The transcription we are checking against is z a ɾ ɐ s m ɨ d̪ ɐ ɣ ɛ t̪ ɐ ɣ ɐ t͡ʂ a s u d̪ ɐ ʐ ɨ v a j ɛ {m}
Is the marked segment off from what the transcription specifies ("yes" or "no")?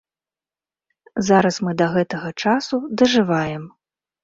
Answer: no